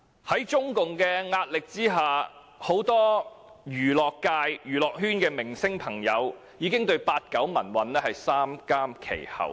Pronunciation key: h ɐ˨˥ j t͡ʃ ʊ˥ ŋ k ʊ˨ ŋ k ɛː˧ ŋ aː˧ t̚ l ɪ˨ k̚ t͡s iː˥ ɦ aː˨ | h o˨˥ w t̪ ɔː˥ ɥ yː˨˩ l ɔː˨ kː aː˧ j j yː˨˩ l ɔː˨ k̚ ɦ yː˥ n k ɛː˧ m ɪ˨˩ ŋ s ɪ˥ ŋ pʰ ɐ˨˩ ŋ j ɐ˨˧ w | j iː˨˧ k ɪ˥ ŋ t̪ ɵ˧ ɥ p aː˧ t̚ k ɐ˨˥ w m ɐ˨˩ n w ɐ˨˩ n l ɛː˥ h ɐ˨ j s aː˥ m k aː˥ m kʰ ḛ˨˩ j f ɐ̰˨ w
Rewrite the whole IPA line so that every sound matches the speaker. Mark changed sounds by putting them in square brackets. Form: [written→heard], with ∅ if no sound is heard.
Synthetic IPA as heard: h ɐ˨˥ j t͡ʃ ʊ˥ ŋ k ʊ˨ ŋ k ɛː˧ ŋ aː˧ t̚ l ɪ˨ k̚ t͡s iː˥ ɦ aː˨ | h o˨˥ w t̪ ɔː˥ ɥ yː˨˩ l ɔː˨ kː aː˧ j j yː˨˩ l ɔː˨ k̚ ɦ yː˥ n k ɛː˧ m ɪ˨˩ ŋ s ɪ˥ ŋ pʰ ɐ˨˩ ŋ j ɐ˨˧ w | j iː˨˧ k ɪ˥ ŋ t̪ ɵ˧ ɥ p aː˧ t̚ k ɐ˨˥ w m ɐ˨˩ n w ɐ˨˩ n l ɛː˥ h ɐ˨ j s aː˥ m k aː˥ m kʰ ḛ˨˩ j [f→h] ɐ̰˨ w